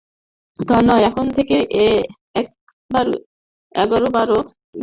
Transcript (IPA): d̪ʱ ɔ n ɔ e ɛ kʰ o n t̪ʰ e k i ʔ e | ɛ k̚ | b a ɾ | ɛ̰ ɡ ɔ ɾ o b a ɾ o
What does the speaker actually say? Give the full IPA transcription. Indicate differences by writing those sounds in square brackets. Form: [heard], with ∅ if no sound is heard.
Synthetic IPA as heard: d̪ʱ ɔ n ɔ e ɛ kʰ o n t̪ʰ e k [e] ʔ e | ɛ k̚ | b a ɾ | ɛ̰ ɡ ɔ ɾ o b a ɾ o